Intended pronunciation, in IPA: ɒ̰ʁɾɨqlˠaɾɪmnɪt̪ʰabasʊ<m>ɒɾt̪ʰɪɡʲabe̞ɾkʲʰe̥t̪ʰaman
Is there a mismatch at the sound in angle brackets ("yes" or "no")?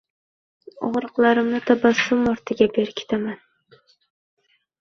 no